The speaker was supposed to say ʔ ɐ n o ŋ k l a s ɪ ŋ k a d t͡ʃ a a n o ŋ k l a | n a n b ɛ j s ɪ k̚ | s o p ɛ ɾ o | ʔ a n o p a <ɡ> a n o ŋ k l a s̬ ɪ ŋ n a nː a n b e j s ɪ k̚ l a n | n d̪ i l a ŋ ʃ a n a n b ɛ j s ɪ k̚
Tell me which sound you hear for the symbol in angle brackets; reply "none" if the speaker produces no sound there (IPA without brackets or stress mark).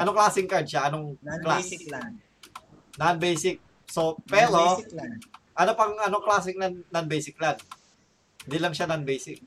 ŋ